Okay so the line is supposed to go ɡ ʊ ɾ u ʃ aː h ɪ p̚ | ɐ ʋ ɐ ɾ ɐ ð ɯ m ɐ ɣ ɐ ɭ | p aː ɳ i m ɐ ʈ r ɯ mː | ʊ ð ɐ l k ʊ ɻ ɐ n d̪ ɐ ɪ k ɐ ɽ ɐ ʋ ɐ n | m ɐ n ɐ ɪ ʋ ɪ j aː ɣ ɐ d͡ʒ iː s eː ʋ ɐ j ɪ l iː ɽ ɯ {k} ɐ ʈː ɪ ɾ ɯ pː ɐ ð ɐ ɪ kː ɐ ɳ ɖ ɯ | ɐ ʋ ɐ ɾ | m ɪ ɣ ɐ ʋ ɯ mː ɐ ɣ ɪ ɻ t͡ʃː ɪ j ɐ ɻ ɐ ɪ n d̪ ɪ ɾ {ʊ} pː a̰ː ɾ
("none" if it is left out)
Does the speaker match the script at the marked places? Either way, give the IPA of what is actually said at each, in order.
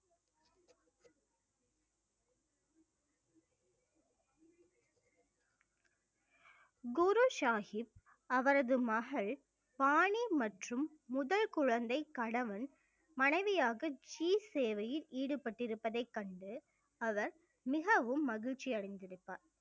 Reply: p, ɯ

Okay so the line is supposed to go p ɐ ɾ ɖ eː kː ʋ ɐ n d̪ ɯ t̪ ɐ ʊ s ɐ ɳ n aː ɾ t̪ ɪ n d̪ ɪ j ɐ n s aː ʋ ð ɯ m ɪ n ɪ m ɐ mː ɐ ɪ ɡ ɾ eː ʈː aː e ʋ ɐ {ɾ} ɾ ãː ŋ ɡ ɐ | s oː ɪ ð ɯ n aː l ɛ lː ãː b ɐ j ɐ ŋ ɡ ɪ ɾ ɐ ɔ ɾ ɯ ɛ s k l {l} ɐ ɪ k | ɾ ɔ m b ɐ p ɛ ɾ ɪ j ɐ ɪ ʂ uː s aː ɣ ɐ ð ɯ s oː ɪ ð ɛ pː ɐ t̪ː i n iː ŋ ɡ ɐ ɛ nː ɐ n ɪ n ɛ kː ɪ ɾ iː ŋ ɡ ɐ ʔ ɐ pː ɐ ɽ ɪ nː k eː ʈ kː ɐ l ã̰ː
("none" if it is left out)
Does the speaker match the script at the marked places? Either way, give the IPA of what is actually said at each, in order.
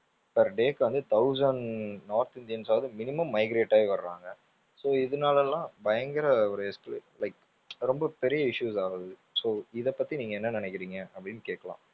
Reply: ɾ, l

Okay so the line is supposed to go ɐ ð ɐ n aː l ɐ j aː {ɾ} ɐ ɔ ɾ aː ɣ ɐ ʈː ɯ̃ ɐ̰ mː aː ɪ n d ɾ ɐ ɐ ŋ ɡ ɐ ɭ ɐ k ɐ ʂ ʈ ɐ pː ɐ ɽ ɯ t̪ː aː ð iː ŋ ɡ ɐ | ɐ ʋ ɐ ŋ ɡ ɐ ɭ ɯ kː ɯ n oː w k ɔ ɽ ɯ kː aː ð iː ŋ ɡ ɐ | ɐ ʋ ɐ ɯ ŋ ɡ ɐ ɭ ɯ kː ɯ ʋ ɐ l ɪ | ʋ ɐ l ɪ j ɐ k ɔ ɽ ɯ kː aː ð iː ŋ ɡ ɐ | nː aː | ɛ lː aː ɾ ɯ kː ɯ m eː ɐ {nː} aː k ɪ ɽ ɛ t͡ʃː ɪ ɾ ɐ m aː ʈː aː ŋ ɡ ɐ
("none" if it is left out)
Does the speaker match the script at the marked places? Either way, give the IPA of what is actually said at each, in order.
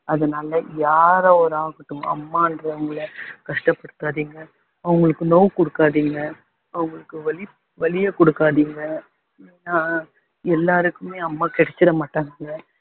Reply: ɾ, mː

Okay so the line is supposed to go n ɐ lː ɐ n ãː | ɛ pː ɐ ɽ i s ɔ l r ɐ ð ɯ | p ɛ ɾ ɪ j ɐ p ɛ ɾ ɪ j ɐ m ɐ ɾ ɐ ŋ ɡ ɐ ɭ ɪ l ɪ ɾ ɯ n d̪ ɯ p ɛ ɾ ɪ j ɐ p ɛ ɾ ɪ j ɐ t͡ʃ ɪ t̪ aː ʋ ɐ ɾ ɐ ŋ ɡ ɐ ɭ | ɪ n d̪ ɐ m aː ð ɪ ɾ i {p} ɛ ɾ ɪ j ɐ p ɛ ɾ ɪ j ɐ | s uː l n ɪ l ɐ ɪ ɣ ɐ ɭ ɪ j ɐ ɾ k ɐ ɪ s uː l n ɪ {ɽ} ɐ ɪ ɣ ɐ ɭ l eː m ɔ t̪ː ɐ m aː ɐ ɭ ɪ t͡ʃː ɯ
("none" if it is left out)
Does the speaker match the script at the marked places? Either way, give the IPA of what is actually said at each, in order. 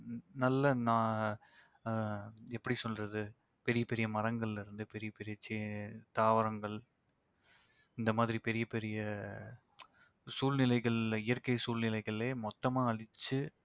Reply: p, l

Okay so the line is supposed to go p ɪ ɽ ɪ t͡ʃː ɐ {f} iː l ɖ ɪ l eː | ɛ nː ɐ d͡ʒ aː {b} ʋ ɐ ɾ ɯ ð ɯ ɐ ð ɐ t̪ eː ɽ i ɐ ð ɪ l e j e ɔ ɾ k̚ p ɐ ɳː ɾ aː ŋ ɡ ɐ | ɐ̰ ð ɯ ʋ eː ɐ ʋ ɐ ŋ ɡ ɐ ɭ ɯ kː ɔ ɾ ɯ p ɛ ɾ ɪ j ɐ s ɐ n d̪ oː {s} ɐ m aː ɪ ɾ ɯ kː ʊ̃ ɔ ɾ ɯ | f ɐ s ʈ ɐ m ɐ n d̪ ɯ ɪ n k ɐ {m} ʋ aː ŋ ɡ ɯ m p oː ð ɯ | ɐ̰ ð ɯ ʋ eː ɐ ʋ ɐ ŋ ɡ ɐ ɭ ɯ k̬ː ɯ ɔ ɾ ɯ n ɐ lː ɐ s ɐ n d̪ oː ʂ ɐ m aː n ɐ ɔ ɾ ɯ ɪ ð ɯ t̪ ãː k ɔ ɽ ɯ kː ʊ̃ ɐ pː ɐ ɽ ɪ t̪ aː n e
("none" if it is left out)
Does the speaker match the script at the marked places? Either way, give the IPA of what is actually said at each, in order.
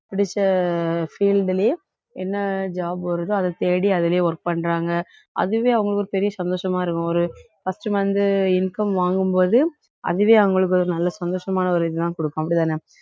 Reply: f, b, ʂ, m

